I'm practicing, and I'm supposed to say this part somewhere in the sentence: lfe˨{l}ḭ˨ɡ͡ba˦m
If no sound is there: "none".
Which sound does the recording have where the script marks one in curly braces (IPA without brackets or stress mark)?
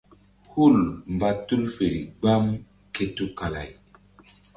ɾ